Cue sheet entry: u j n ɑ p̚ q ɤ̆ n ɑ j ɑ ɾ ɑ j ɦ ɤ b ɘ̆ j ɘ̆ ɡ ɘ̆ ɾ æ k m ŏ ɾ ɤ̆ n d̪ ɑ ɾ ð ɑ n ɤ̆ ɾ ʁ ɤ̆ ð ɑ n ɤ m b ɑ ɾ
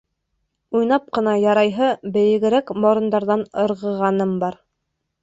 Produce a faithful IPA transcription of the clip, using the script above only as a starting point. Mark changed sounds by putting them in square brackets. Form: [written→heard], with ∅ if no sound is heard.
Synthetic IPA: u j n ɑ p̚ q ɤ̆ n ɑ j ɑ ɾ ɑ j ɦ ɤ b ɘ̆ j ɘ̆ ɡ ɘ̆ ɾ æ k m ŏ ɾ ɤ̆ n d̪ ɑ ɾ ð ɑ n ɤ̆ ɾ ʁ ɤ̆ [ð→ʁ] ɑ n ɤ m b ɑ ɾ